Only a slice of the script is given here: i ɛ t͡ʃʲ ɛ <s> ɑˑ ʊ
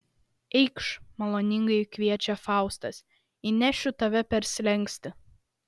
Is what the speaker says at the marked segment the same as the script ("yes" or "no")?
no